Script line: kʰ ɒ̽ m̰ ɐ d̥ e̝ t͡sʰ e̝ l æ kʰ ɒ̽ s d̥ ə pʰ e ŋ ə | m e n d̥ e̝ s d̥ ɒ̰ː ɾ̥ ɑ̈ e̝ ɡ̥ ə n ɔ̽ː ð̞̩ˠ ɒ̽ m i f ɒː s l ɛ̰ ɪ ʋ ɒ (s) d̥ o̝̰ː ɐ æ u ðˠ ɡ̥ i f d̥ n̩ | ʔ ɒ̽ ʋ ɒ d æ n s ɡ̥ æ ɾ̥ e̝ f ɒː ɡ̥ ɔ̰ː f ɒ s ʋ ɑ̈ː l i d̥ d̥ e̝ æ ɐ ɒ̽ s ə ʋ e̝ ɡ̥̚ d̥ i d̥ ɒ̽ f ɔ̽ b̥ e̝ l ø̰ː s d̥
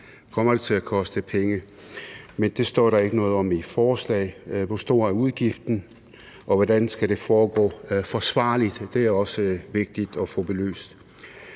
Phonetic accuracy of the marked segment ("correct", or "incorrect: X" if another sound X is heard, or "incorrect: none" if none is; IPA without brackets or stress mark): correct